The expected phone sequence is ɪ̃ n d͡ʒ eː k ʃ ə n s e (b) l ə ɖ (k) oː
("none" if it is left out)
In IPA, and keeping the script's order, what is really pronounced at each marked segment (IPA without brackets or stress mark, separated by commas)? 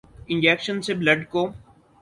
b, k